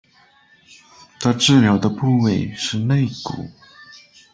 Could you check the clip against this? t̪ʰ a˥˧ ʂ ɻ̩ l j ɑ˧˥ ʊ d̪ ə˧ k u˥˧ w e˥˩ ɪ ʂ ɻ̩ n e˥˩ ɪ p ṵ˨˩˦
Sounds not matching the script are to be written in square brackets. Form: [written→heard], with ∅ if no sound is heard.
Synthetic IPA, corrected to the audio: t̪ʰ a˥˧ [ʂ→ʈ͡ʂ] ɻ̩ l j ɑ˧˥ ʊ d̪ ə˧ [k→p] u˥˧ w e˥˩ ɪ ʂ ɻ̩ n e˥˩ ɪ [p→k] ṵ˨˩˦